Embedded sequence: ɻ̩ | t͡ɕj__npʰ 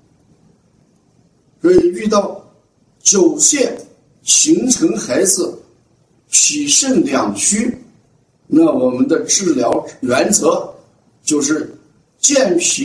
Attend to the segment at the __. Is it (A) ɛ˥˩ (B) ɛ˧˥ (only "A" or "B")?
A